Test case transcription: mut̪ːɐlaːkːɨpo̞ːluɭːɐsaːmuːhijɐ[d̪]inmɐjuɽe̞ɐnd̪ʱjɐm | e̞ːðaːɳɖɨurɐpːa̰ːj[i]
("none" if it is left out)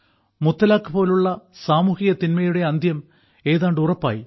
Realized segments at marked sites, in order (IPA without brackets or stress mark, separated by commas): t̪, i